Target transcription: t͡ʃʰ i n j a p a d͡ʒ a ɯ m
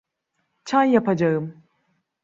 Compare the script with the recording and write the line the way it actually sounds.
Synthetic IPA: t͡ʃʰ a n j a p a d͡ʒ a ɯ m

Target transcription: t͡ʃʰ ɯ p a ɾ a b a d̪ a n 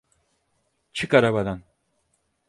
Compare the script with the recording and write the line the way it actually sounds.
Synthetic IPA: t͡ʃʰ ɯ k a ɾ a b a d̪ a n

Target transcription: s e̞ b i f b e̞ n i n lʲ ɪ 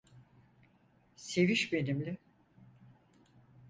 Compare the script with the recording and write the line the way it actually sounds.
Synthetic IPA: s e̞ v i ʃ b e̞ n i m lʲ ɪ

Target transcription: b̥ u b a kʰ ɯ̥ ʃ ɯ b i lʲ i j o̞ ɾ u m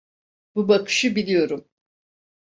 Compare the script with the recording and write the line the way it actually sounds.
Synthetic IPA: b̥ u b a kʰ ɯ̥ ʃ ɯ b i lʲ i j o̞ ɾ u m

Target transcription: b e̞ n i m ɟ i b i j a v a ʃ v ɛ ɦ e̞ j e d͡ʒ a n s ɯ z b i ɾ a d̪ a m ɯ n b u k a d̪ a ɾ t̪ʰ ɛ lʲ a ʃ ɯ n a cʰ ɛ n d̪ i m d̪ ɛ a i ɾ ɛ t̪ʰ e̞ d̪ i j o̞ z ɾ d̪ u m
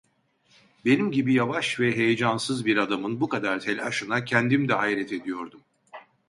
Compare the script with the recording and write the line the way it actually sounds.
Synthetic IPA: b e̞ n i m ɟ i b i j a v a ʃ v ɛ ɦ e̞ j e d͡ʒ a n s ɯ z b i ɾ a d̪ a m ɯ n b u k a d̪ a ɾ t̪ʰ ɛ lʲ a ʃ ɯ n a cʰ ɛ n d̪ i m d̪ ɛ a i ɾ ɛ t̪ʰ e̞ d̪ i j o̞ ɾ d̪ u m

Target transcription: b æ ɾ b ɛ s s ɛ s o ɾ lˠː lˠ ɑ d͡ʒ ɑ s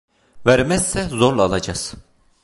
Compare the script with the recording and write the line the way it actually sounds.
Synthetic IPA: v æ ɾ m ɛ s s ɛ z o ɾ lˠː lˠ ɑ d͡ʒ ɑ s

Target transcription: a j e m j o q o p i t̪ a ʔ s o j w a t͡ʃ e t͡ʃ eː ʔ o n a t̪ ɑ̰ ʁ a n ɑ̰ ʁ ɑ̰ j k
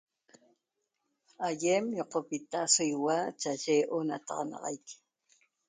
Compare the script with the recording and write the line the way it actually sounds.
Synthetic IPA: a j e m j o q o p i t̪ a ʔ s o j w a t͡ʃ a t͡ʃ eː ʔ o n a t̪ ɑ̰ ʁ ɑ n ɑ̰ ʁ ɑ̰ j k

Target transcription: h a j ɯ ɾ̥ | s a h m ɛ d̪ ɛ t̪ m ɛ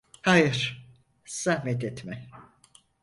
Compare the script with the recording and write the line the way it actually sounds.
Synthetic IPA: h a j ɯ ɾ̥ | s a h m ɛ t̪ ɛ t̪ m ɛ

